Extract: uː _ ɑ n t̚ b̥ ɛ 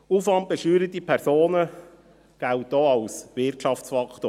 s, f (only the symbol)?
f